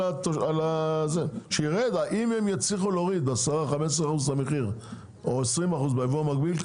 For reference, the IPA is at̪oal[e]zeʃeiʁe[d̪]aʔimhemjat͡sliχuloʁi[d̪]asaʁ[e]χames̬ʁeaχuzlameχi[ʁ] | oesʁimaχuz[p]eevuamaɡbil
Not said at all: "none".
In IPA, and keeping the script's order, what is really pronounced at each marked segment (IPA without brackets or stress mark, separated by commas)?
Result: a, d̪, d̪, a, ʁ, b